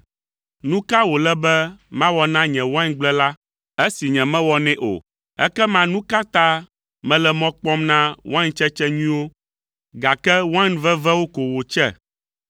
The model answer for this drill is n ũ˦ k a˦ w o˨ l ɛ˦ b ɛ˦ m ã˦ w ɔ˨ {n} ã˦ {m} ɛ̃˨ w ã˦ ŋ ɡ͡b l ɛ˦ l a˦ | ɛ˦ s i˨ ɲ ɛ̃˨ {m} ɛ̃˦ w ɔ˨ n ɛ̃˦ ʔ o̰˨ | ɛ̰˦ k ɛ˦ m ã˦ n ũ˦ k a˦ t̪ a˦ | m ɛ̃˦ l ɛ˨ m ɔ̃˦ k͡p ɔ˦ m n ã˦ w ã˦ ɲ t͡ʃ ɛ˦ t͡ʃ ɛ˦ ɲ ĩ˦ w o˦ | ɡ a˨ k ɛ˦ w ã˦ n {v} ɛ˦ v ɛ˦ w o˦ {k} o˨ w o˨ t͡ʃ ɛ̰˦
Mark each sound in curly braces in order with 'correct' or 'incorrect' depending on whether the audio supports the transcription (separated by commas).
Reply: correct, incorrect, correct, correct, correct